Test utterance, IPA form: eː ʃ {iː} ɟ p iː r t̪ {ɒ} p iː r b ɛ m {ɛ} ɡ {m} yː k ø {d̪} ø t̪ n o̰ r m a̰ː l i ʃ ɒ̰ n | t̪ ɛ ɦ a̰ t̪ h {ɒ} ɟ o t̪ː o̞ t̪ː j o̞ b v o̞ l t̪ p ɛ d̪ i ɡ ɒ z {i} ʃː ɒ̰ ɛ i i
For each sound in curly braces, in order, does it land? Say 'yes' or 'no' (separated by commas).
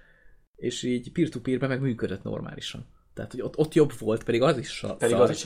yes, no, yes, yes, yes, no, yes